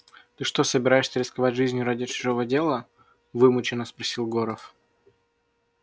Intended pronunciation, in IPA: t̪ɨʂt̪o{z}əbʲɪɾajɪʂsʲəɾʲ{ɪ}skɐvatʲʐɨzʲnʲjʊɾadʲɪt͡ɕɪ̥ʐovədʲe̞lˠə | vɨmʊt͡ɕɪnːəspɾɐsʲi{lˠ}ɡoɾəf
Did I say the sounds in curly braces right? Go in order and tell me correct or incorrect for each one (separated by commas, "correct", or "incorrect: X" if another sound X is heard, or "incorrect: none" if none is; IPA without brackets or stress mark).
incorrect: s, correct, correct